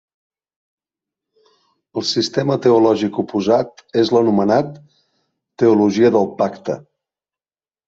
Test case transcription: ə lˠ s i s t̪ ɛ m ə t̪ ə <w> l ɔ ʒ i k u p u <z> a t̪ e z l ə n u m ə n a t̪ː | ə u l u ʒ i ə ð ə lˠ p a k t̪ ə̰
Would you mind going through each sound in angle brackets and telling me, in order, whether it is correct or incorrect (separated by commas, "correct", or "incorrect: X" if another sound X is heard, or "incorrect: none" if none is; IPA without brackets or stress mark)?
incorrect: u, correct